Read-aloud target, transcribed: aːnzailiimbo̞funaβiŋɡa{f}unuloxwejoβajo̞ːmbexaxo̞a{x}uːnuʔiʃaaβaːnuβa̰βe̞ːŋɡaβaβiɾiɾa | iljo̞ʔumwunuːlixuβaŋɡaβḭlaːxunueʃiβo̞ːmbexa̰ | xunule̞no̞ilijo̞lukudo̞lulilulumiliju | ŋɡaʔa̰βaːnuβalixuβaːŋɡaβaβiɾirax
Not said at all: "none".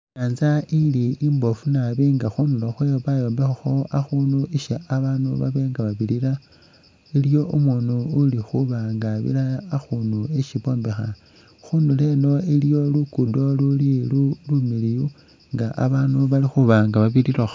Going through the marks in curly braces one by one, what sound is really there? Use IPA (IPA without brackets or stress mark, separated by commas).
x, x